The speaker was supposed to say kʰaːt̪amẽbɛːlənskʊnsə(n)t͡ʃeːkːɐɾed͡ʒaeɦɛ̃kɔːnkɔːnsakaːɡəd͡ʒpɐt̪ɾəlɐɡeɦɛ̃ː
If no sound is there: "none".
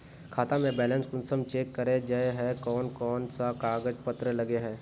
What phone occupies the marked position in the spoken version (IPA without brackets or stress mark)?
m